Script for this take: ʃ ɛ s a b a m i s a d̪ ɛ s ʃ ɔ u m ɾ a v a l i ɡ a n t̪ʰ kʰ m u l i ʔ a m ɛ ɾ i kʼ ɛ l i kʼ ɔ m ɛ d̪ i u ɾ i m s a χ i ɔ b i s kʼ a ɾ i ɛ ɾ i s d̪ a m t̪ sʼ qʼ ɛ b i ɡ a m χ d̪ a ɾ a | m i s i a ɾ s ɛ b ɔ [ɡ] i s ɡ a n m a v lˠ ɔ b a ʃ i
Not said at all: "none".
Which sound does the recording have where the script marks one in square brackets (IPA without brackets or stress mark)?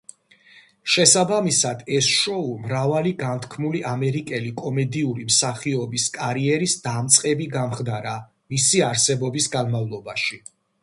b